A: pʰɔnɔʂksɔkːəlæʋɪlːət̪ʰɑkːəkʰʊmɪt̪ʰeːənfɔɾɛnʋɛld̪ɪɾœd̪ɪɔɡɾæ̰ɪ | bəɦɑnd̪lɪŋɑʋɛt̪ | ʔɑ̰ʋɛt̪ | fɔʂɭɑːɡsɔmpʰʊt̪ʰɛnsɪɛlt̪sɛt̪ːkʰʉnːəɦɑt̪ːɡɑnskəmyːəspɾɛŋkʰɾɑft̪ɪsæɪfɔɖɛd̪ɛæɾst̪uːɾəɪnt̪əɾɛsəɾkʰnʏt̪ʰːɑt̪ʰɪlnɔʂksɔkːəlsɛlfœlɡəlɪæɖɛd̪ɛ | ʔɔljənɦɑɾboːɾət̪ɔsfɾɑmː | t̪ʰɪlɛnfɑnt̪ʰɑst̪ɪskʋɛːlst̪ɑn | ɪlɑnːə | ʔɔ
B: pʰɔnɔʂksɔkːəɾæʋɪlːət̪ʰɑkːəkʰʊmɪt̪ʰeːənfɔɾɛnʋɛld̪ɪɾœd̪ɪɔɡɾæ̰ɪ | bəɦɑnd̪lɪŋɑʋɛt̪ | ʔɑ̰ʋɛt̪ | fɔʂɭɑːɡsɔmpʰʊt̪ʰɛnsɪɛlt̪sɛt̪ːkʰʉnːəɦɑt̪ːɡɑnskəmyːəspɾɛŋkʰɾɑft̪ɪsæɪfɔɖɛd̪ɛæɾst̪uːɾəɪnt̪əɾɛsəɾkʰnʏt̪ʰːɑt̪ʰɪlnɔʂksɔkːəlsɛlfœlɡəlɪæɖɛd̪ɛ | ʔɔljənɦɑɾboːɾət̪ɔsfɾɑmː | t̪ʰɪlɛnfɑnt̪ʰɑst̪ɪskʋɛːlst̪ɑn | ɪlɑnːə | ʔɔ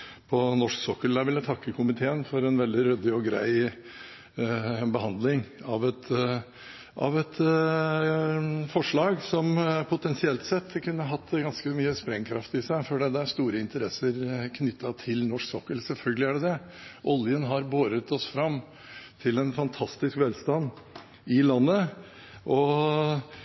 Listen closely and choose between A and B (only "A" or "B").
A